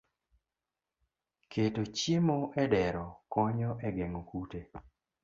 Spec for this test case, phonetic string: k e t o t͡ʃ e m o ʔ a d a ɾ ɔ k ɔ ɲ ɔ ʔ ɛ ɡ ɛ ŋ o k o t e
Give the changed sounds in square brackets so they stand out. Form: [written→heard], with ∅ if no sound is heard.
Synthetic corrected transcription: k e t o t͡ʃ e m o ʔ [a→ɛ] d [a→ɛ] ɾ ɔ k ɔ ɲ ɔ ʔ ɛ ɡ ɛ ŋ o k [o→u] t e